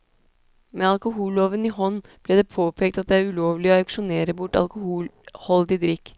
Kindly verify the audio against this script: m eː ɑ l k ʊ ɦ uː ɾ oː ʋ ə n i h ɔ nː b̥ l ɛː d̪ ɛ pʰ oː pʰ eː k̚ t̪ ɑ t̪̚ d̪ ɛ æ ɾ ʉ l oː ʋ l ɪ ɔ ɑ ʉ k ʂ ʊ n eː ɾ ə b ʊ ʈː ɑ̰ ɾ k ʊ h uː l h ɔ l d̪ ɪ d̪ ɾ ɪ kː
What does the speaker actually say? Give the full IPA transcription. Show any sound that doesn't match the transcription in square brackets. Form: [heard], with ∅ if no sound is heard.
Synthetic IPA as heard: m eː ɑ l k ʊ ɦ uː [l] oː ʋ ə n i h ɔ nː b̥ l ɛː d̪ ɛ pʰ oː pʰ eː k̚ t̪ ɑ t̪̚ d̪ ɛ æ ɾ ʉ l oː ʋ l ɪ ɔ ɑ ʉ k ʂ ʊ n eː ɾ ə b ʊ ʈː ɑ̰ [l] k ʊ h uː l h ɔ l d̪ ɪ d̪ ɾ ɪ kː